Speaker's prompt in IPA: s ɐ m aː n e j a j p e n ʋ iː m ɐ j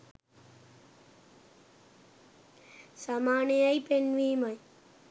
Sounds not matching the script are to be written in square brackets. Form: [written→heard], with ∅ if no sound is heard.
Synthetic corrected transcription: s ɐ m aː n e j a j p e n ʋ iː m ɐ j